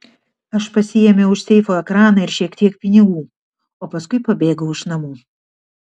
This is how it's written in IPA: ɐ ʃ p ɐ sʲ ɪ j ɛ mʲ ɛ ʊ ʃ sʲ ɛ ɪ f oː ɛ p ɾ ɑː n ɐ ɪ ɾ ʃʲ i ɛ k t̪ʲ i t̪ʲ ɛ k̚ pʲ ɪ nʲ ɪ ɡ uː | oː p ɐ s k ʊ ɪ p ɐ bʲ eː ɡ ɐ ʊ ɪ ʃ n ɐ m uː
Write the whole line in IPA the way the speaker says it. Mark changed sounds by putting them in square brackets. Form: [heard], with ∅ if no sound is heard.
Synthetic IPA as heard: ɐ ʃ p ɐ sʲ ɪ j ɛ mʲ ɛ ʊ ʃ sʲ ɛ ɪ f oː ɛ [k] ɾ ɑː n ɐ ɪ ɾ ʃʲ i ɛ k t̪ʲ i [∅] ɛ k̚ pʲ ɪ nʲ ɪ ɡ uː | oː p ɐ s k ʊ ɪ p ɐ bʲ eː ɡ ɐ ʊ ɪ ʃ n ɐ m uː